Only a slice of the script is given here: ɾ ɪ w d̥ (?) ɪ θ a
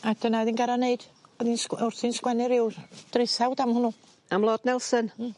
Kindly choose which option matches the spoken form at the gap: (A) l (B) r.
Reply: B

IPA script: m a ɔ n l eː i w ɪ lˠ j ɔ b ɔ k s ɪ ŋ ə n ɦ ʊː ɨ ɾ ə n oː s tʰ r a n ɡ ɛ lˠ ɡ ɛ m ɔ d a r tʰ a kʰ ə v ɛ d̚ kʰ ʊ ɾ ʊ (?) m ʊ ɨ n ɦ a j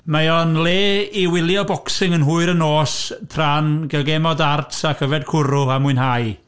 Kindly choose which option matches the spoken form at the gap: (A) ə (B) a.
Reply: B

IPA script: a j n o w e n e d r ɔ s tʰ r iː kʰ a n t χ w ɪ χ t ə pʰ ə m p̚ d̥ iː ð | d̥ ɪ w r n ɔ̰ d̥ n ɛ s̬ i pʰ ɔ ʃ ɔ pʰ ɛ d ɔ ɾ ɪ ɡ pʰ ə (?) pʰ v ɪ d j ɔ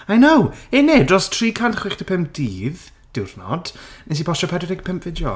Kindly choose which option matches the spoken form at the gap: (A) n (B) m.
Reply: B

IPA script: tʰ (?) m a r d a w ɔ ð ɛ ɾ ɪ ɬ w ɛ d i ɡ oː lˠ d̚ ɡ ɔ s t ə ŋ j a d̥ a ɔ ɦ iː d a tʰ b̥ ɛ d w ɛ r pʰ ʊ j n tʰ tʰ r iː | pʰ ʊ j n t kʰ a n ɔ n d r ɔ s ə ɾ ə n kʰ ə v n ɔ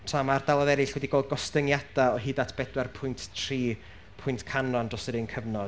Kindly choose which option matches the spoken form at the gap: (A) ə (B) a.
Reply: B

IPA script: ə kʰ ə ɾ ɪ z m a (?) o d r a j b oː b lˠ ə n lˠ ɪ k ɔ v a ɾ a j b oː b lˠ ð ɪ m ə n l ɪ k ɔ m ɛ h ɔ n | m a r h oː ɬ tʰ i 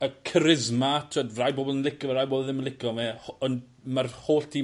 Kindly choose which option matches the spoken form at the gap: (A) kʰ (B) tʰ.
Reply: B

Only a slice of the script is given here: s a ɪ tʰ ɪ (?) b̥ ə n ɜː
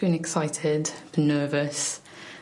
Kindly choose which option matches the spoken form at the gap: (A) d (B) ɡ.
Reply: A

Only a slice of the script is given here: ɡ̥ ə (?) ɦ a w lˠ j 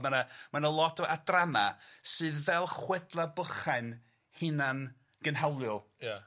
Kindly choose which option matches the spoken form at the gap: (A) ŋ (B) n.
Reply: B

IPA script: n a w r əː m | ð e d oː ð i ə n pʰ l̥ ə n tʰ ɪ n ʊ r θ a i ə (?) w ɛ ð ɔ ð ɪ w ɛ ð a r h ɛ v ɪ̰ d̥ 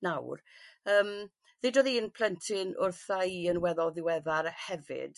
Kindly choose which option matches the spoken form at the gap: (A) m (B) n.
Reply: B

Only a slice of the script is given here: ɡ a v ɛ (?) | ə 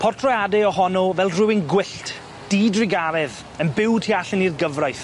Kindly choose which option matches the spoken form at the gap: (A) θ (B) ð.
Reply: B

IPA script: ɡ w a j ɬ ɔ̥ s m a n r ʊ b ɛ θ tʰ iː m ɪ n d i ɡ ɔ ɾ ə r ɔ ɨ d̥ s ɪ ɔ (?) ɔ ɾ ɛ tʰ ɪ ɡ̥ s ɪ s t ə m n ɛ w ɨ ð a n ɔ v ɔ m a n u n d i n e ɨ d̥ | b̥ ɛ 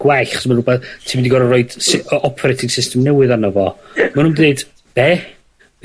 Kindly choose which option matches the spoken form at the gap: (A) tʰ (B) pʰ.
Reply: B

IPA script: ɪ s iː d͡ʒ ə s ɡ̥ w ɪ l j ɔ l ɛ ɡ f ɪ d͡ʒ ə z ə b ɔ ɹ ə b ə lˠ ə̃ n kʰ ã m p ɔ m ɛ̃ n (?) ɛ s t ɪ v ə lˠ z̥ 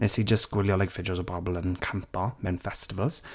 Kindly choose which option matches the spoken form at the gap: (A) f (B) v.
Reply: A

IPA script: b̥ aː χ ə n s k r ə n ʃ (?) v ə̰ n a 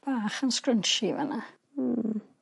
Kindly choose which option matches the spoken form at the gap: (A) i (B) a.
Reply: A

